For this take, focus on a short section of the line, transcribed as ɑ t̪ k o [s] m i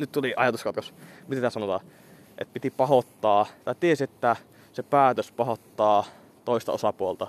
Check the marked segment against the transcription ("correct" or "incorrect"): correct